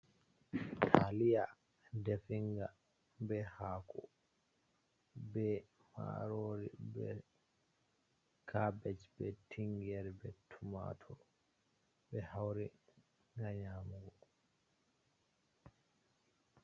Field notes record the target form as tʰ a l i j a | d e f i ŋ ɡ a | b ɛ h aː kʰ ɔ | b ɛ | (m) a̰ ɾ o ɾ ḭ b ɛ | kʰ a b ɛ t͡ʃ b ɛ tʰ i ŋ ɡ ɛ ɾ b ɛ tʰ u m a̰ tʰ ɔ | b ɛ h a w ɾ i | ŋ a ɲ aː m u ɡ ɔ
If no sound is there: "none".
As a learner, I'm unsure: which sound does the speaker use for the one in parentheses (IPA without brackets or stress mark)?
m